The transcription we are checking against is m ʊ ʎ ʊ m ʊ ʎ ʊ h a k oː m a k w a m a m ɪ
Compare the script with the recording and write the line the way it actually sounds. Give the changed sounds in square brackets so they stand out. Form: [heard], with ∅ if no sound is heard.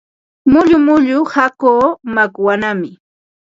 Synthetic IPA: m ʊ ʎ ʊ m ʊ ʎ ʊ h a k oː m a k w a [n] a m ɪ